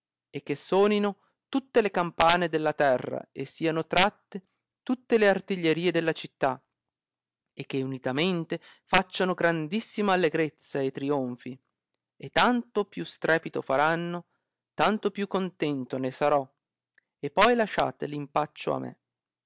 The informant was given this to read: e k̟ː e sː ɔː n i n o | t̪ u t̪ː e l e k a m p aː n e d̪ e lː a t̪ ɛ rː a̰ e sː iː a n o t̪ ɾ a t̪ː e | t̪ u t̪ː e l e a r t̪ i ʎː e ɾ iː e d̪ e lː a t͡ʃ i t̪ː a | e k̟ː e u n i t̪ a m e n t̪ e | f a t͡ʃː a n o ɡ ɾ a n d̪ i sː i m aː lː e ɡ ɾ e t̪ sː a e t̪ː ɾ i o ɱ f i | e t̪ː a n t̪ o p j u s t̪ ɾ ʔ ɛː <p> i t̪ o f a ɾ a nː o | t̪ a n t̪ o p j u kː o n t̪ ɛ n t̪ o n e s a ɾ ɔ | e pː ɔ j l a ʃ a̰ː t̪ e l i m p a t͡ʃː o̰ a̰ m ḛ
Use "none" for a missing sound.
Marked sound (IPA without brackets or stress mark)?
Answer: p